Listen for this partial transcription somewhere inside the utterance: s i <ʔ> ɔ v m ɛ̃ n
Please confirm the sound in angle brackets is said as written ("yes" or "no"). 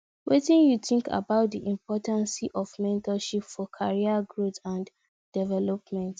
yes